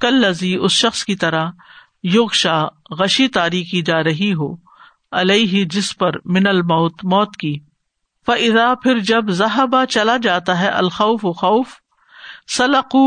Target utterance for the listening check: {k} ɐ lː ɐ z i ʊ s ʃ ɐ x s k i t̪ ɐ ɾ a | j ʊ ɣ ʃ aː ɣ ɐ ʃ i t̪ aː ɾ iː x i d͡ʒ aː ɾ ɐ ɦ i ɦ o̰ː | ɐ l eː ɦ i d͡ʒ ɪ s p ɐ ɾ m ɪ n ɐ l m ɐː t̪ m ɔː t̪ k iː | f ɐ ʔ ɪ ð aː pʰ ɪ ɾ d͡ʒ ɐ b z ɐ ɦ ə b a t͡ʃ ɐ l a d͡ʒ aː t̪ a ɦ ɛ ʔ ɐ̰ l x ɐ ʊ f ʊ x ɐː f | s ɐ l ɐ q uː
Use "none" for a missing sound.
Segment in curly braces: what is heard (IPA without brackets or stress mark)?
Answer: k